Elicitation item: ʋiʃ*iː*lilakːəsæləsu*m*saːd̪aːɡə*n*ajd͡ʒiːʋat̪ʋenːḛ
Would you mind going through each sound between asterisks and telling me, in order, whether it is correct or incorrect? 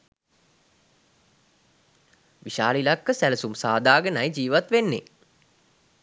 incorrect, correct, correct

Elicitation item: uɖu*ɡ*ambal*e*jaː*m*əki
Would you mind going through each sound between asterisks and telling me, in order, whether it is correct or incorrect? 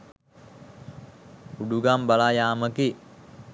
correct, incorrect, correct

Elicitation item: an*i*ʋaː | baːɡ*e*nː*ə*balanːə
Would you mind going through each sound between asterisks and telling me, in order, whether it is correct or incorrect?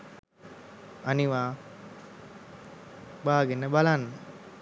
correct, correct, correct

